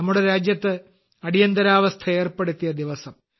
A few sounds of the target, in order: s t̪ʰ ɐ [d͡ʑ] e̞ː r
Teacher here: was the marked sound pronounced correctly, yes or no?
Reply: no